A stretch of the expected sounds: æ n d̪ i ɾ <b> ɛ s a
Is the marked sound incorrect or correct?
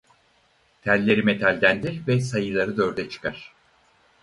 incorrect